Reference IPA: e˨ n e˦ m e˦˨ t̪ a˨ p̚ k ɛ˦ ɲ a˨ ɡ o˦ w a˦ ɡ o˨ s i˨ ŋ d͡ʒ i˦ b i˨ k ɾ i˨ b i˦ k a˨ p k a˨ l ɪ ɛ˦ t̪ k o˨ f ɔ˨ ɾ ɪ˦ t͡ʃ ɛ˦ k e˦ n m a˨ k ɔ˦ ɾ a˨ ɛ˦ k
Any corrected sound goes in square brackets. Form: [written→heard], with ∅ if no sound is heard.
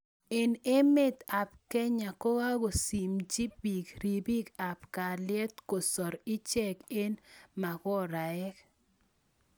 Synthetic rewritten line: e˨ n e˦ m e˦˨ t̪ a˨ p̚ k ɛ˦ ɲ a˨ [ɡ→k] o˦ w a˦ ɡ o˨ s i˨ [ŋ→m] d͡ʒ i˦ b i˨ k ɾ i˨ b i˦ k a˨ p k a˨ l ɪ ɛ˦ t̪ k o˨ [f→s] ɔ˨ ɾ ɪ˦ t͡ʃ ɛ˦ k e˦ n m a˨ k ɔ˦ ɾ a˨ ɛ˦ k